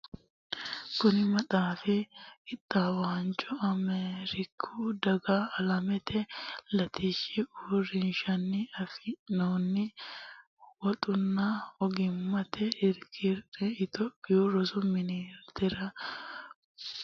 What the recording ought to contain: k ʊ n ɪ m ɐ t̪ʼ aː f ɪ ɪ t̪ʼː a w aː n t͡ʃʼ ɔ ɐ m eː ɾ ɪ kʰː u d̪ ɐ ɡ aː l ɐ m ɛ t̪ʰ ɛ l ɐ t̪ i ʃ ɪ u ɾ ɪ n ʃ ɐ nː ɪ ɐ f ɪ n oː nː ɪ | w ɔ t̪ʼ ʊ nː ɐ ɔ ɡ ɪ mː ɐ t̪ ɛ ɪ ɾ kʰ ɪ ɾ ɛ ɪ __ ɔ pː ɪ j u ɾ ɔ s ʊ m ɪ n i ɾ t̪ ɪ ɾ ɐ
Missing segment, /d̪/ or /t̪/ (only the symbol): t̪